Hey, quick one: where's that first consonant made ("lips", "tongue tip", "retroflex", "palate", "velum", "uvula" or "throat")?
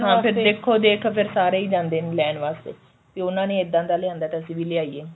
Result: throat